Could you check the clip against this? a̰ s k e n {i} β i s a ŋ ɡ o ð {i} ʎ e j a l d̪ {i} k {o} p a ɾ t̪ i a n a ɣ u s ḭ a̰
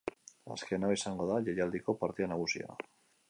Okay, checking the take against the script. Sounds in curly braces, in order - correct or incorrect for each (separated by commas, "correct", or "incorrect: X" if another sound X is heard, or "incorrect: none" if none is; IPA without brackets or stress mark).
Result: incorrect: a, incorrect: a, correct, correct